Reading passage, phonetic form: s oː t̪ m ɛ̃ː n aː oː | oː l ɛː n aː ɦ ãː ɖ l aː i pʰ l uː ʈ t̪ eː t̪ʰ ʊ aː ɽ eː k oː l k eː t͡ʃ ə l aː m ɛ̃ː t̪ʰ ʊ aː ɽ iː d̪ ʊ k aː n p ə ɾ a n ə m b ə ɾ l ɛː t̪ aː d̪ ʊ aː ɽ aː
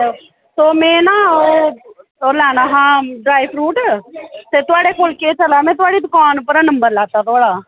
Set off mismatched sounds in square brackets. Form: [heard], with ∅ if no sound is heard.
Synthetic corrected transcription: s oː [∅] m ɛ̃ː n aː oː | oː l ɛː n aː ɦ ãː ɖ [ɾ] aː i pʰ [ɾ] uː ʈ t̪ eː [t̪] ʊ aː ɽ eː k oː l k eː t͡ʃ ə l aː m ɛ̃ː [t̪] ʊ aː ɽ iː d̪ ʊ k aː n p ə ɾ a n ə m b ə ɾ l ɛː t̪ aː [t̪] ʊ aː ɽ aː